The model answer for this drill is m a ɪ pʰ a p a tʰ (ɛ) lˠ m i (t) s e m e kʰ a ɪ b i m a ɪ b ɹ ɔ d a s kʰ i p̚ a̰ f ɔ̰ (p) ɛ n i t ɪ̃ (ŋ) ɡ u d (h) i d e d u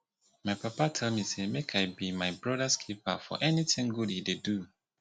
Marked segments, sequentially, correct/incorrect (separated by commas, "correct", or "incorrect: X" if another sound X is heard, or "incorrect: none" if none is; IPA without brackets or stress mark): correct, incorrect: none, incorrect: ʔ, correct, correct